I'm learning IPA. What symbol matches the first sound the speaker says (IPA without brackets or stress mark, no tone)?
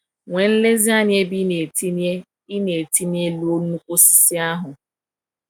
ŋʷ